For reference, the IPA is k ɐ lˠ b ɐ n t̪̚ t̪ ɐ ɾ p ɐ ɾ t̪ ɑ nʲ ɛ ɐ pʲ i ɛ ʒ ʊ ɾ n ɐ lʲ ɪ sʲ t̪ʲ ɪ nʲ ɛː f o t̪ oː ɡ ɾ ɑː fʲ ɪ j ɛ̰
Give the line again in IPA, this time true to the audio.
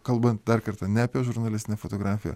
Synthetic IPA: k ɐ lˠ b ɐ n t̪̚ d̪ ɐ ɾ k ɐ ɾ t̪ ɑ nʲ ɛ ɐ pʲ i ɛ ʒ ʊ ɾ n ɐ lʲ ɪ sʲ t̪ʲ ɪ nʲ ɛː f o t̪ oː ɡ ɾ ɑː fʲ ɪ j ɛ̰